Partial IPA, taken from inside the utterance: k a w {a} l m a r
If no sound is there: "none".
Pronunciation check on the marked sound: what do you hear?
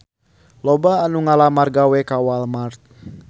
a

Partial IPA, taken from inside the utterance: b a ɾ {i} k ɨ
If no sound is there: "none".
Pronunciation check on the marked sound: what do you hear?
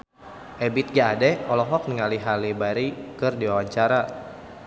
i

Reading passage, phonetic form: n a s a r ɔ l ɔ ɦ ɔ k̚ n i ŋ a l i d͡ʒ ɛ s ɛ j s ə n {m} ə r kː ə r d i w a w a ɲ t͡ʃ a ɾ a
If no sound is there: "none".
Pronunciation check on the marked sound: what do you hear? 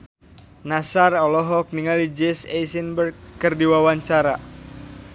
b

